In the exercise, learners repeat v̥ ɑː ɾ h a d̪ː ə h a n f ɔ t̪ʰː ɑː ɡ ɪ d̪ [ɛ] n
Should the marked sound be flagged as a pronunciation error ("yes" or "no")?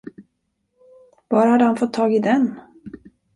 no